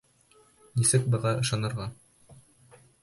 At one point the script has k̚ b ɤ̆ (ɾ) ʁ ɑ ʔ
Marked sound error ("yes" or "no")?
yes